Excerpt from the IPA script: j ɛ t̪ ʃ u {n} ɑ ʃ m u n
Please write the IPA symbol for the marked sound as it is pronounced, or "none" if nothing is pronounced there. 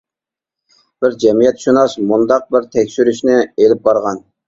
n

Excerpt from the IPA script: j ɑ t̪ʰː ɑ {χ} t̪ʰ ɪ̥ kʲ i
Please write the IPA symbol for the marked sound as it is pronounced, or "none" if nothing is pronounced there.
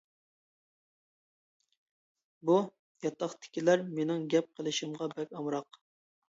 χ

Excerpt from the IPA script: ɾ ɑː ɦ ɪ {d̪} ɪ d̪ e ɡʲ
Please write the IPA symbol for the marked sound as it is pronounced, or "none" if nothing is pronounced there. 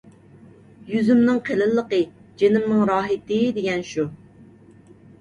t̪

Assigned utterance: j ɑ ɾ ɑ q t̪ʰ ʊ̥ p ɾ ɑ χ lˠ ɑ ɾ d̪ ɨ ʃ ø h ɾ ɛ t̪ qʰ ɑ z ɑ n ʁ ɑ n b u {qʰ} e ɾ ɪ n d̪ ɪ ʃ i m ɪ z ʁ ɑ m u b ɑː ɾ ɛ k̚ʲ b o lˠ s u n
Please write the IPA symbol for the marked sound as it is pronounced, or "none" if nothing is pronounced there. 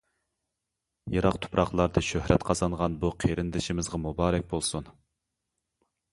qʰ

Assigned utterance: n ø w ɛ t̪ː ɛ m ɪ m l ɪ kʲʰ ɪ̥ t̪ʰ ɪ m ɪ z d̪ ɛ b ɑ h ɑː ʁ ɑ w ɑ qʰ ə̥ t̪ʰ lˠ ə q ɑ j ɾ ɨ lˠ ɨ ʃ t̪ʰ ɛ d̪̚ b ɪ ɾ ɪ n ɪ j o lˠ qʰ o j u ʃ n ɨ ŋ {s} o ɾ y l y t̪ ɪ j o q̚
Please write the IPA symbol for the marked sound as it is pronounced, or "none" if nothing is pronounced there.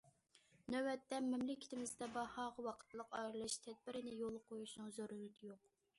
z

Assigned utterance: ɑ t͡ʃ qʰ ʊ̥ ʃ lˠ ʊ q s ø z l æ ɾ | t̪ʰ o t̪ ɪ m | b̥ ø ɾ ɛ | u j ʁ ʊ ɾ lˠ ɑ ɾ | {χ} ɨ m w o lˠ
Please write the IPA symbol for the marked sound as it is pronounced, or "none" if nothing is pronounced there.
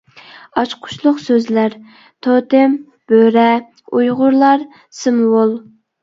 s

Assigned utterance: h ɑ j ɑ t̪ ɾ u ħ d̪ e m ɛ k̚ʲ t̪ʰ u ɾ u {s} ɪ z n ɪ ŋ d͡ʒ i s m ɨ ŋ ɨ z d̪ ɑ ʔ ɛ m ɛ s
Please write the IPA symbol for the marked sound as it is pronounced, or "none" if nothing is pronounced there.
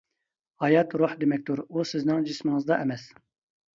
s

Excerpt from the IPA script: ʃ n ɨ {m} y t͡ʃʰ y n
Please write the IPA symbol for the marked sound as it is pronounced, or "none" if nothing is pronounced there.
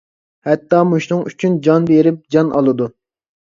ŋ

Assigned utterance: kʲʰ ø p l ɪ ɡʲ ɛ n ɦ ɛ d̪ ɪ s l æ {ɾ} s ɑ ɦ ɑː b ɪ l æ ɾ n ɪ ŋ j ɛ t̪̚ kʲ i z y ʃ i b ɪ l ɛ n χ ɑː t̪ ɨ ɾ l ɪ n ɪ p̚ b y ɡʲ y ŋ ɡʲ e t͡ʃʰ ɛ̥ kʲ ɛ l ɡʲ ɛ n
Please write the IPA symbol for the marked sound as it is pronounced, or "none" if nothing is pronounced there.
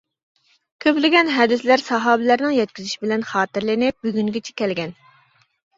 ɾ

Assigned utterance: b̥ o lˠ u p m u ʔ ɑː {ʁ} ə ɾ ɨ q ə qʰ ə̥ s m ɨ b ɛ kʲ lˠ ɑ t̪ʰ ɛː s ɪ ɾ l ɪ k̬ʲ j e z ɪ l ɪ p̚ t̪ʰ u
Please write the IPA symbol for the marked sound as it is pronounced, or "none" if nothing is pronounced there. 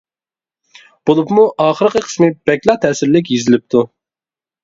χ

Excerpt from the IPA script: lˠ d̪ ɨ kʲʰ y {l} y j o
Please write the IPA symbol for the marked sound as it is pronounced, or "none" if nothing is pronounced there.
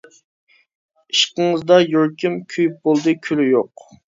l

